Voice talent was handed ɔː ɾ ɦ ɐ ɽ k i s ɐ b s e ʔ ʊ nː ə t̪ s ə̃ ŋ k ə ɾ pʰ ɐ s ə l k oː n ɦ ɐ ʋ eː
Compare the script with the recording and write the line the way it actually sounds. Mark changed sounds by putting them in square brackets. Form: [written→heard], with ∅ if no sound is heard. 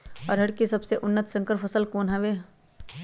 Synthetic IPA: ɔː ɾ ɦ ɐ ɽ k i s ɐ b s e ʔ ʊ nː ə t̪ s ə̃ ŋ k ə ɾ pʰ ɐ s ə l k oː n ɦ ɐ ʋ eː